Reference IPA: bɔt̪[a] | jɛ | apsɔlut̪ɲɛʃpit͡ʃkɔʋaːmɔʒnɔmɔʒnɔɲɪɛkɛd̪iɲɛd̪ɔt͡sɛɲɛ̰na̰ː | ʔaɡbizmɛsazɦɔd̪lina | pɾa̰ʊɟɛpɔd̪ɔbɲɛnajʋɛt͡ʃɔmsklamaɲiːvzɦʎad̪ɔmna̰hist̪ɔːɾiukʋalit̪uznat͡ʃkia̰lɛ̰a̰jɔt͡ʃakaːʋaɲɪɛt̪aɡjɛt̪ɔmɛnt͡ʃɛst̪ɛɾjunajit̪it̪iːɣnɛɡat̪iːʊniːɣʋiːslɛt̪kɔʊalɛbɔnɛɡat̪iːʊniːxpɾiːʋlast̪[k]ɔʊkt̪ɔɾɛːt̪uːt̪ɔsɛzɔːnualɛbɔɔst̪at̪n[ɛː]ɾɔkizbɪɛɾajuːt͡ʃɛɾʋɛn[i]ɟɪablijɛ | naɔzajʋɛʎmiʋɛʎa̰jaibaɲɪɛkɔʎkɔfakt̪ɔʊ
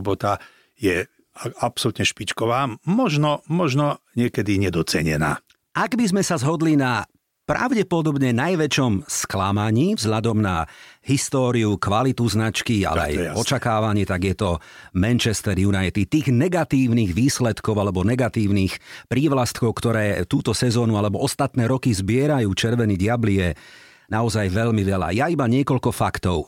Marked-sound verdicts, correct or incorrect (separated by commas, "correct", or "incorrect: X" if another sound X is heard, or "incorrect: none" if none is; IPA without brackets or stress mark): correct, correct, correct, correct